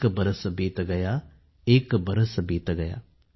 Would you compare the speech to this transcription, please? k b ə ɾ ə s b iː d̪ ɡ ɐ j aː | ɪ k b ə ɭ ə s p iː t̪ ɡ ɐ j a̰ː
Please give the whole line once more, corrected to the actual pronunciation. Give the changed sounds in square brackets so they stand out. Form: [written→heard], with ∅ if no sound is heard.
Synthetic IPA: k b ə ɾ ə s b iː [d̪→t̪] ɡ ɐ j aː | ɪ k b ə [ɭ→ɾ] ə s [p→b] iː t̪ ɡ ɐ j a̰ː